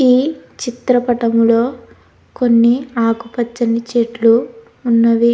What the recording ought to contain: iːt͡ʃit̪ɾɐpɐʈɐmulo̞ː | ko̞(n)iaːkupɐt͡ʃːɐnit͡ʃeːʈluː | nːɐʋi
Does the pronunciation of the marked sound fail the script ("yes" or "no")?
yes